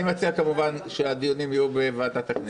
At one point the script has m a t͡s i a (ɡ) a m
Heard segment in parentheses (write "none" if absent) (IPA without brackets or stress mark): k